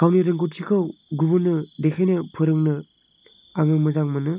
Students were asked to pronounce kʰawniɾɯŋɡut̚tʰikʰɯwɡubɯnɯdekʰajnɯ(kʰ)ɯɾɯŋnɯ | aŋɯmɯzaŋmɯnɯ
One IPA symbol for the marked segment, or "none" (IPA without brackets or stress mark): pʰ